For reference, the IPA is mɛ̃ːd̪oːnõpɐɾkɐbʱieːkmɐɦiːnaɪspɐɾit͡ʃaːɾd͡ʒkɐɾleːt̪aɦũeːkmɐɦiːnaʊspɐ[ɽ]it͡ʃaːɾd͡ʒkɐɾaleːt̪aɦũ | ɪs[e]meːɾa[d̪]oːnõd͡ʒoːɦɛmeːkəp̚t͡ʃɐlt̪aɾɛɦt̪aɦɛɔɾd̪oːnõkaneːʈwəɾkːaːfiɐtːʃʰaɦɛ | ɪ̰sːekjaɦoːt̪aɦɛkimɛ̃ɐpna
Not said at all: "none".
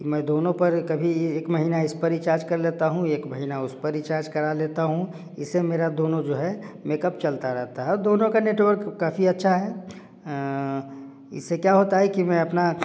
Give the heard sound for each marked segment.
ɾ, e, d̪

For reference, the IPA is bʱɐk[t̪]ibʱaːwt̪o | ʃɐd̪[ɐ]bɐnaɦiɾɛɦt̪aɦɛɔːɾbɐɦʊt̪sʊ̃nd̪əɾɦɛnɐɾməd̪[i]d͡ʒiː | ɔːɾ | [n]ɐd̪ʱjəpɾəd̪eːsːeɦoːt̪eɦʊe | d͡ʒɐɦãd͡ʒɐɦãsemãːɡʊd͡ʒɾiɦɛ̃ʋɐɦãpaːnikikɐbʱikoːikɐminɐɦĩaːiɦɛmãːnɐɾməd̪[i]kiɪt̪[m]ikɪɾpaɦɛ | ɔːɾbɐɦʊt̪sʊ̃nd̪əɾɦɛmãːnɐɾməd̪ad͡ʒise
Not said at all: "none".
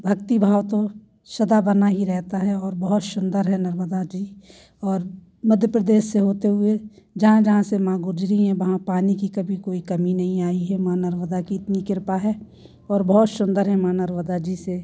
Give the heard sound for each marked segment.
t̪, a, a, m, a, n

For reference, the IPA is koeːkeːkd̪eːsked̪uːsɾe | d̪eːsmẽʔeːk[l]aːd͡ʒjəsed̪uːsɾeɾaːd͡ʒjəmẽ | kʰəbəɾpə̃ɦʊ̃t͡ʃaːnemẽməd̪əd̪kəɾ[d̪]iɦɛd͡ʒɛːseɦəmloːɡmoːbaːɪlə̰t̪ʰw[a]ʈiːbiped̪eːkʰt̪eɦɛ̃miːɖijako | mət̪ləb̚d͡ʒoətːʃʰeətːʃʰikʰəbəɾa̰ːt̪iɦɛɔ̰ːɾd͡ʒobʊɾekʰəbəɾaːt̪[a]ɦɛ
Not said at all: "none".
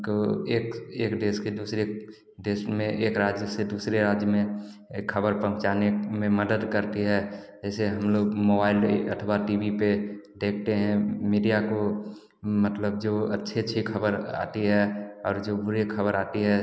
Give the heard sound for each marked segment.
ɾ, t̪, a, i

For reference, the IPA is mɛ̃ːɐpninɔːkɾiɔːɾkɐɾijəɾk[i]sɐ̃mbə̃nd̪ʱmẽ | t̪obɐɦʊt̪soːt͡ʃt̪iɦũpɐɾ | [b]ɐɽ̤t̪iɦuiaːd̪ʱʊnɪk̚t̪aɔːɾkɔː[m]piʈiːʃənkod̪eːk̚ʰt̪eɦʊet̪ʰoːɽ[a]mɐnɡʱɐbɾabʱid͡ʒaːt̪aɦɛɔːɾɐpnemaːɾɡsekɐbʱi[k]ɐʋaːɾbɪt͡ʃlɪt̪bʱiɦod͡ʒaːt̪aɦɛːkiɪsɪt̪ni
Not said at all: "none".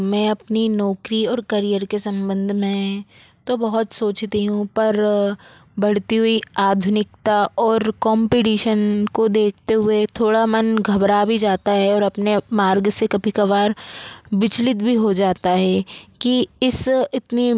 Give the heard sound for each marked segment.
e, b, m, a, k

